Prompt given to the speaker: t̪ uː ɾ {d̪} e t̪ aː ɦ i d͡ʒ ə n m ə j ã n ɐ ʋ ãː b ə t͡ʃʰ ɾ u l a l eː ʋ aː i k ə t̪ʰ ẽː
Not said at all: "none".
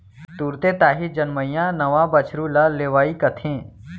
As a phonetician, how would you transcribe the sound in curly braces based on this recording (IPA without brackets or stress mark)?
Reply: t̪